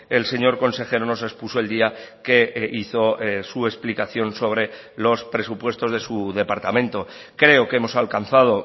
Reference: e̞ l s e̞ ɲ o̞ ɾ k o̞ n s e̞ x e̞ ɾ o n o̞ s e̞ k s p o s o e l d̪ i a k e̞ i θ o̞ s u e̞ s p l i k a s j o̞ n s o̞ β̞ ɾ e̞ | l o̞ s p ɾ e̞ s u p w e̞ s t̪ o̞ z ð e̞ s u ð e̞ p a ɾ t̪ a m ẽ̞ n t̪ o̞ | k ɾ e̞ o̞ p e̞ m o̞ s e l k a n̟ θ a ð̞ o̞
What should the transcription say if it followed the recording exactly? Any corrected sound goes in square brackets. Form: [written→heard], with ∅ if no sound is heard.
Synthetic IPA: e̞ l s e̞ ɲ o̞ ɾ k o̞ n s e̞ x e̞ ɾ o n o̞ s e̞ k s p [o→u] s o e l d̪ i a k e̞ i θ o̞ s u e̞ s p l i k a [s→θ] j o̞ n s o̞ β̞ ɾ e̞ | l o̞ s p ɾ e̞ s u p w e̞ s t̪ o̞ z ð e̞ s u ð e̞ p a ɾ t̪ a m ẽ̞ n t̪ o̞ | k ɾ e̞ o̞ [p→k] e̞ m o̞ s [e→a] l k a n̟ θ a ð̞ o̞